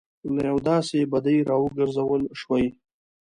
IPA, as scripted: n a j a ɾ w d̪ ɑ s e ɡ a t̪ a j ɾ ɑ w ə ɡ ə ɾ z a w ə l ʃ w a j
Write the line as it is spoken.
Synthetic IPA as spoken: n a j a w d̪ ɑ s e b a d̪ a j ɾ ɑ w ə ɡ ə ɾ z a w ə l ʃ w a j